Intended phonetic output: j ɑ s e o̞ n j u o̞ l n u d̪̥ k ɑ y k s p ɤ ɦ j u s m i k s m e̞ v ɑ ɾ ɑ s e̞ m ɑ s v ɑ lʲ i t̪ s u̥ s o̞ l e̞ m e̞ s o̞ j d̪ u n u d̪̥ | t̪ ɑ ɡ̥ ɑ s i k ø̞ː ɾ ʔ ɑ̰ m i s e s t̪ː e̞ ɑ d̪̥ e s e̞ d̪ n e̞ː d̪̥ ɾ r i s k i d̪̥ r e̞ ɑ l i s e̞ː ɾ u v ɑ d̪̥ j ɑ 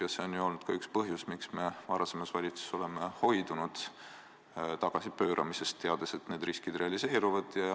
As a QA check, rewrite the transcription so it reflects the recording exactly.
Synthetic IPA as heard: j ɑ s e o̞ n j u o̞ l n u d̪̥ k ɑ y k s p ɤ ɦ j u s m i k s m e̞ v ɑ ɾ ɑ s e̞ m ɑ s v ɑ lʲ i t̪ s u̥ s o̞ l e̞ m e̞ h o̞ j d̪ u n u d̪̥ | t̪ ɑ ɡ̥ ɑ s i p ø̞ː ɾ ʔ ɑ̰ m i s e s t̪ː e̞ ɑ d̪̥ e s e̞ t̪ n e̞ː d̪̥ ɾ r i s k i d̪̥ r e̞ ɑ l i s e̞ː ɾ u v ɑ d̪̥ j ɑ